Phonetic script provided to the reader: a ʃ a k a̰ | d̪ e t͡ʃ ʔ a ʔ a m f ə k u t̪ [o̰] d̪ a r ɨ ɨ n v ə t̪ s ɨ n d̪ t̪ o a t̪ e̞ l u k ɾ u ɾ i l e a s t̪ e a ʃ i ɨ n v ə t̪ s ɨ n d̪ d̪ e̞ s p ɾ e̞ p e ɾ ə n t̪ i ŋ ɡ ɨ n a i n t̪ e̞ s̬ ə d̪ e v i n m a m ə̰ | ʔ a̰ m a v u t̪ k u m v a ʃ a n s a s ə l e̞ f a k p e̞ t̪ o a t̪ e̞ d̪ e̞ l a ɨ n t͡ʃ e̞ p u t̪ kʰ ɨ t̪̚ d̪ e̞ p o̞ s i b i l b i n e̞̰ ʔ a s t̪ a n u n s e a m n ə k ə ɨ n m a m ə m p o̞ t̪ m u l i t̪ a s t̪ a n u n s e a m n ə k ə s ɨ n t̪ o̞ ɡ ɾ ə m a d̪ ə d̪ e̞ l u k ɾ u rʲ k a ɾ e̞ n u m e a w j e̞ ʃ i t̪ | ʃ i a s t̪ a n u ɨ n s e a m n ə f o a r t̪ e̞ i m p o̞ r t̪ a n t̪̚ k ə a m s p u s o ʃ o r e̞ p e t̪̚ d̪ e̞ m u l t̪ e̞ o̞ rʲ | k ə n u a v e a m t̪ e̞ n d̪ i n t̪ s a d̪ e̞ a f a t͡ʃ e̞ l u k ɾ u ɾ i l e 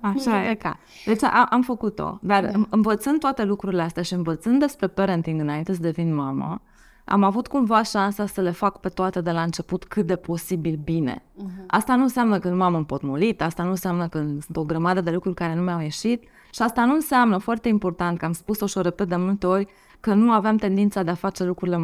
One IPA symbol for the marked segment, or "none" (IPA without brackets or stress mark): o̰